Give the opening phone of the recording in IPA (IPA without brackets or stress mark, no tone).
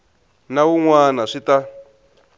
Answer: n